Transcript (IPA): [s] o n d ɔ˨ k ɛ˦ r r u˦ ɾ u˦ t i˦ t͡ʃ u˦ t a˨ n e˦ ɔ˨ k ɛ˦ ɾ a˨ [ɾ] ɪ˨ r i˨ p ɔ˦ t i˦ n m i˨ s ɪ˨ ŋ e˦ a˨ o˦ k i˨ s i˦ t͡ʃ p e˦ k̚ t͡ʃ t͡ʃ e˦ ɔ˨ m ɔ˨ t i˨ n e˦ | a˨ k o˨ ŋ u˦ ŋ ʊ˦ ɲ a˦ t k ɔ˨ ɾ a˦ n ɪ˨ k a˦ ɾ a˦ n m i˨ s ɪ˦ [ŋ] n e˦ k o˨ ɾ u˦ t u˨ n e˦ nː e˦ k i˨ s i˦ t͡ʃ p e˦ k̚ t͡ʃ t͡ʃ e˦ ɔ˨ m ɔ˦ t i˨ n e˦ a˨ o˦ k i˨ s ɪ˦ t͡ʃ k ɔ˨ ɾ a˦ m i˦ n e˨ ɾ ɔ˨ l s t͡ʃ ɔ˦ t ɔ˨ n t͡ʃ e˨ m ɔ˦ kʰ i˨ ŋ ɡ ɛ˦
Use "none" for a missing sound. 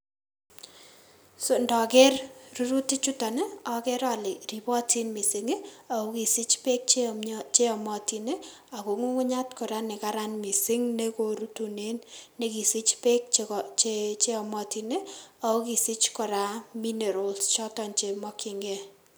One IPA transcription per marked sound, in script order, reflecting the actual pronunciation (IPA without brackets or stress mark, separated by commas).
s, l, ŋ